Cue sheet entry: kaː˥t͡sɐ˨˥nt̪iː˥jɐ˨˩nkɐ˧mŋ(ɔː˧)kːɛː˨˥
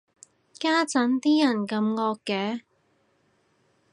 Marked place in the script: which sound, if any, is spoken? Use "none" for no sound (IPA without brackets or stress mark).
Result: ɔː˧